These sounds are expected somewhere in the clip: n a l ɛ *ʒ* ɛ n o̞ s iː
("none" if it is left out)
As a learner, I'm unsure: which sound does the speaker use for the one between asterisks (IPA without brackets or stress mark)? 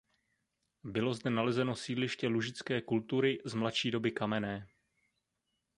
z